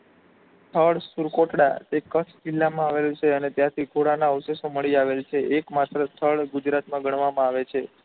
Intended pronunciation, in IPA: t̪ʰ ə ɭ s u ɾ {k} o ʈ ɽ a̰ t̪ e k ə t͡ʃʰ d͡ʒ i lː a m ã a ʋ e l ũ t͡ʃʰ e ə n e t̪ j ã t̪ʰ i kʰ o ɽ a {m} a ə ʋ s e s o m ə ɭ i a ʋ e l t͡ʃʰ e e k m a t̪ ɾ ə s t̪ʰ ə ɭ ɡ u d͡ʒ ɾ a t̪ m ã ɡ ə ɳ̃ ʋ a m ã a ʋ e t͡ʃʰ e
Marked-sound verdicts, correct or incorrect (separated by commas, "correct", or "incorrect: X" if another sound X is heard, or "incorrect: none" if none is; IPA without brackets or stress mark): correct, incorrect: n